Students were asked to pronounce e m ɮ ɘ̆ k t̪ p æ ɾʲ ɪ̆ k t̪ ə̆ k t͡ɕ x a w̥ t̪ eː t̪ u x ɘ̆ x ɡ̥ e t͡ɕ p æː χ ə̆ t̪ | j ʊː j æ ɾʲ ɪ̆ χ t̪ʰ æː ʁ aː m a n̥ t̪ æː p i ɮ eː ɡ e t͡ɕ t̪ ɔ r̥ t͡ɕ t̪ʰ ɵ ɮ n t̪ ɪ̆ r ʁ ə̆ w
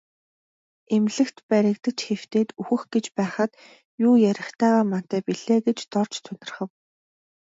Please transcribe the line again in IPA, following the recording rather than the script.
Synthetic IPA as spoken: e m ɮ ɘ̆ k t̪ p æ ɾʲ ɪ̆ k t̪ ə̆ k t͡ɕ x e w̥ t̪ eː t̪ u x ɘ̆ x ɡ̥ e t͡ɕ p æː χ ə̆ t̪ | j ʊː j æ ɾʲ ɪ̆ χ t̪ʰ æː ʁ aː m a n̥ t̪ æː p i ɮ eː ɡ e t͡ɕ t̪ ɔ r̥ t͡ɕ t̪ʰ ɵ n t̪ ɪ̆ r χ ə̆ w

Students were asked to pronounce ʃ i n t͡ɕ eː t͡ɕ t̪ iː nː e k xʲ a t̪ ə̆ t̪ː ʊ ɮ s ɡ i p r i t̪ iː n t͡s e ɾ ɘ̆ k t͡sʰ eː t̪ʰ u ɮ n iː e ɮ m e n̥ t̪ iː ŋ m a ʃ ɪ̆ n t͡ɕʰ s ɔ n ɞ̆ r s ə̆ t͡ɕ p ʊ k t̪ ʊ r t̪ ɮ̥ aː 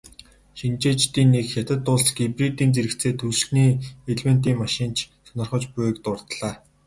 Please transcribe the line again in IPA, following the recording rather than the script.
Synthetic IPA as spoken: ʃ i n t͡ɕ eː t͡ɕ t̪ iː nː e k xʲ a t̪ ə̆ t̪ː ʊ ɮ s ɡ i p r i t̪ iː n t͡s e ɾ ɘ̆ k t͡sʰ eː t̪ʰ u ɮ n iː e ɮ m e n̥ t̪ iː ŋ m a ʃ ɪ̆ n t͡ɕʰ s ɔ n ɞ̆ r χ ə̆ t͡ɕ p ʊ k t̪ ʊ r t̪ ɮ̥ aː

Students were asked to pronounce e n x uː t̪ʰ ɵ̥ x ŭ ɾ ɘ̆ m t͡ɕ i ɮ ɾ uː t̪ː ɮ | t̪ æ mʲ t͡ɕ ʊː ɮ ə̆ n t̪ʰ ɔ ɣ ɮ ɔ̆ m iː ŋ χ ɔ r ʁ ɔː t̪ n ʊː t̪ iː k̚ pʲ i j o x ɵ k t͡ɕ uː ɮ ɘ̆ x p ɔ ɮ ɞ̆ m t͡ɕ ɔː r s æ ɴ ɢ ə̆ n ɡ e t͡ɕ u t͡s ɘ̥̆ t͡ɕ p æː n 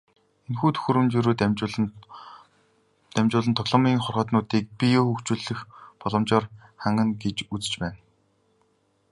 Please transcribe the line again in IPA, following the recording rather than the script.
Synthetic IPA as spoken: e n x uː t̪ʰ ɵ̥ x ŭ ɾ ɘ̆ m t͡ɕ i ɾ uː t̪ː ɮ | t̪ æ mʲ t͡ɕ ʊː ɮ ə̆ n t̪ʰ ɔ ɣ ɮ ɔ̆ m iː ŋ χ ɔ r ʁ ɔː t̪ n ʊː t̪ iː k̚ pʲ i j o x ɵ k t͡ɕ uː ɮ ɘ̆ x p ɔ ɮ ɞ̆ m t͡ɕ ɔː r χ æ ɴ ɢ ə̆ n ɡ e t͡ɕ u t͡s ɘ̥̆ t͡ɕ p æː n

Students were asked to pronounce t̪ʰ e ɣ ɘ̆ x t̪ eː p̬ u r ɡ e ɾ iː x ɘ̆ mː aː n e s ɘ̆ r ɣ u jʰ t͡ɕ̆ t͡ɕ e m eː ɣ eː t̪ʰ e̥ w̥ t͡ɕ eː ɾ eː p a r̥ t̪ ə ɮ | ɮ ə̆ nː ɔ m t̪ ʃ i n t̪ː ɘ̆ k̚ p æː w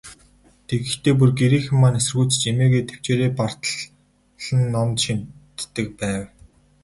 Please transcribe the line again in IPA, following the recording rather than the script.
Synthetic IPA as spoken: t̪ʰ e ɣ ɘ̆ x t̪ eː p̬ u r ɡ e ɾ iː x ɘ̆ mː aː n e s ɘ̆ r ɣ u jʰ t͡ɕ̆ t͡ɕ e m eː ɣ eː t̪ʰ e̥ w̥ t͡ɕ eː ɾ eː p a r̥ t̪ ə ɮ | ɮ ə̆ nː ɔ m t̪ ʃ i n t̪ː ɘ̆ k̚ p æː w

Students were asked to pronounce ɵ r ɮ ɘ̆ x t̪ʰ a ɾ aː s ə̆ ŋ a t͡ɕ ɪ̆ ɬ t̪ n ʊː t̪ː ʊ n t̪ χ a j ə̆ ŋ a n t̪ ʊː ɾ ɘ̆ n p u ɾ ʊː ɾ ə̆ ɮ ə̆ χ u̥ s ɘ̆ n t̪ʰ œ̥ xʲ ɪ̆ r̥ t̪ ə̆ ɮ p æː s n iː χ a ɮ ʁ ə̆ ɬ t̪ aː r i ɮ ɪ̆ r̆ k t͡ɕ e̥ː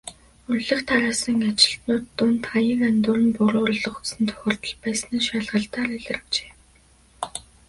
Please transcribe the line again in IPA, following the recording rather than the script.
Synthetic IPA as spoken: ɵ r ɮ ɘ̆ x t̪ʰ a ɾ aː s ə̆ ŋ a t͡ɕ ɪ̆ ɬ t̪ n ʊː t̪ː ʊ n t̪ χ a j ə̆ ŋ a n t̪ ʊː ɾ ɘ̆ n p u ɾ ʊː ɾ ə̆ ɮ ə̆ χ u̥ s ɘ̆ n t̪ʰ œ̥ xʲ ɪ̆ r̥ t̪ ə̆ ɮ p æː s n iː ʃ a ɮ ʁ ə̆ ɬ t̪ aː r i ɮ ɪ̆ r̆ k t͡ɕ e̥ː

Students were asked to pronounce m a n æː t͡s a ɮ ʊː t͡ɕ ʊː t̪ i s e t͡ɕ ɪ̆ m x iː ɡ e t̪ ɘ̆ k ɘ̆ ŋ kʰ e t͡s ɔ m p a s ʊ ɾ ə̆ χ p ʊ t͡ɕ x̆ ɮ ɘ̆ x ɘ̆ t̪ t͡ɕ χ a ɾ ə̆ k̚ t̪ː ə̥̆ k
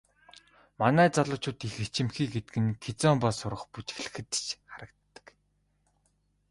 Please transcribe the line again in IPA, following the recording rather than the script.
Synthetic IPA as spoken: m a n æː t͡s a ɮ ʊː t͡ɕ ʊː t̪ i x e t͡ɕ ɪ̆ m x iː ɡ e t̪ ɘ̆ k ɘ̆ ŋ kʰ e t͡s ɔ m p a s ʊ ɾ ə̆ χ p u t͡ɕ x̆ ɮ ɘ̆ x ɘ̆ t̪ t͡ɕ χ a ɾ ə̆ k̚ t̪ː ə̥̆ k

